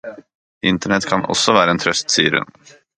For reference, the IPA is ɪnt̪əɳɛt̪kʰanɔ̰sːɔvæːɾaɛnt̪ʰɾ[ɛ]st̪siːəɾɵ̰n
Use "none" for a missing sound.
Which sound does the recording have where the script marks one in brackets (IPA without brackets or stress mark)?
œ